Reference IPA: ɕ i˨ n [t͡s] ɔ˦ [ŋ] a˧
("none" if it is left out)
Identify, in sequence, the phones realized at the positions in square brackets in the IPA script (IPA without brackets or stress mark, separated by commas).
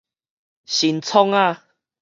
t͡sʰ, ŋ